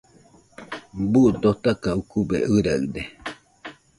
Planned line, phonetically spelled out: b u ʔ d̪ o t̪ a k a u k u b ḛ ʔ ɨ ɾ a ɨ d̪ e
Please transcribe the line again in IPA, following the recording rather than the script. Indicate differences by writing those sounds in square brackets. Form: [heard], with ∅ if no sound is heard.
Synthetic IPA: b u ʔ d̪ o t̪ a k a u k u b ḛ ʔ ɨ ɾ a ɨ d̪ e